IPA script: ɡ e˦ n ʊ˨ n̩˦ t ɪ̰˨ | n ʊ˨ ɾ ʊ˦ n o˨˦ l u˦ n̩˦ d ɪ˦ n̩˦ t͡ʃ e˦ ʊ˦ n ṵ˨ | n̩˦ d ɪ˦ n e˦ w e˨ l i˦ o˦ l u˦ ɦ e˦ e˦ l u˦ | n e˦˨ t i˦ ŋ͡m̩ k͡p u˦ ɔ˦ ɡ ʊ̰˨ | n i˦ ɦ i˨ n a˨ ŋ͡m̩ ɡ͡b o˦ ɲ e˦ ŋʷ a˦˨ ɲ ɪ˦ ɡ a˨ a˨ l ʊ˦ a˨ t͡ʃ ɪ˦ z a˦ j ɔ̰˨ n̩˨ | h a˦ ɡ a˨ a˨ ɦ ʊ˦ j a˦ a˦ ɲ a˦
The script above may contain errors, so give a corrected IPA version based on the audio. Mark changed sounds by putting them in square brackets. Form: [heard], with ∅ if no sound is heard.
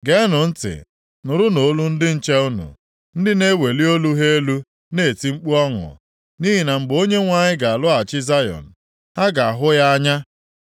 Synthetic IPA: ɡ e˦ n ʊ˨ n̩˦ t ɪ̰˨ | n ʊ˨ ɾ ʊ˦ n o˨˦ l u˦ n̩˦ d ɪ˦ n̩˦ t͡ʃ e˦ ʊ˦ n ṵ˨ | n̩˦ d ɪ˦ n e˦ w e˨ l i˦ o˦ l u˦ ɦ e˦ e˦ l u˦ | n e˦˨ t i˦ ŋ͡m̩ k͡p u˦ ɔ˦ [ŋ] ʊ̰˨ | n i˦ ɦ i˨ n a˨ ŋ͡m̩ ɡ͡b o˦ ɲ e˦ ŋʷ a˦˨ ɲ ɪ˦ ɡ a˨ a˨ l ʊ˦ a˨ t͡ʃ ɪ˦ z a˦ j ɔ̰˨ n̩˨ | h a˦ ɡ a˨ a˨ ɦ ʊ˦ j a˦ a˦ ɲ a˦